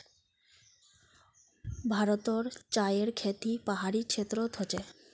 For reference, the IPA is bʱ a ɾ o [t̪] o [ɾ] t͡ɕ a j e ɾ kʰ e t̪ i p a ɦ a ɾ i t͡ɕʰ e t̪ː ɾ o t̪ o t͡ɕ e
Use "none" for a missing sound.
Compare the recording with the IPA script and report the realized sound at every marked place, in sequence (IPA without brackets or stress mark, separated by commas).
t̪, ɾ